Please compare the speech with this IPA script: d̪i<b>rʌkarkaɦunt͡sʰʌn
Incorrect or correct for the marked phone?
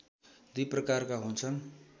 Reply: incorrect: p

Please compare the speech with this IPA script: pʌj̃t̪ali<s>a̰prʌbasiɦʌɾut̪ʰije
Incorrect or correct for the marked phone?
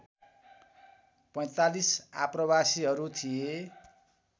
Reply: correct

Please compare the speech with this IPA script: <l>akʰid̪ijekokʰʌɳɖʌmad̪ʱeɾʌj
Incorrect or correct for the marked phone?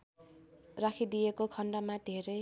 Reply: incorrect: r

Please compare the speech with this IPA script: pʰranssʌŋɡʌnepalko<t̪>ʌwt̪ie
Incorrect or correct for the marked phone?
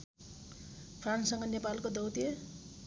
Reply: incorrect: d̪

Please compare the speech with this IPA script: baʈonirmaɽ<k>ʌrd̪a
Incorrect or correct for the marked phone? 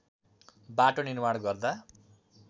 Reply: incorrect: ɡ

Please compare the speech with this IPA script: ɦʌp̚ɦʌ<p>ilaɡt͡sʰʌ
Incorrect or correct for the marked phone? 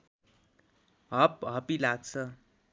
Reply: correct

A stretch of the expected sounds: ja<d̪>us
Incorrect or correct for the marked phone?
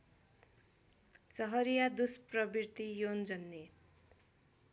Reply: correct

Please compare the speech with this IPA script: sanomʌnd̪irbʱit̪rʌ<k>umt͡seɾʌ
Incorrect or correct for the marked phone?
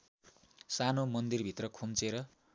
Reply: incorrect: kʰ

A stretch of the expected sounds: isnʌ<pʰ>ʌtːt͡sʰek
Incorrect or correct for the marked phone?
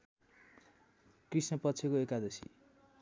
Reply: incorrect: p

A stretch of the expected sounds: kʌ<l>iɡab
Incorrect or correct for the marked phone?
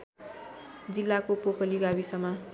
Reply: correct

